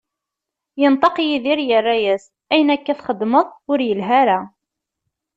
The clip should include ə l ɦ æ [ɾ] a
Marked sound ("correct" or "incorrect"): correct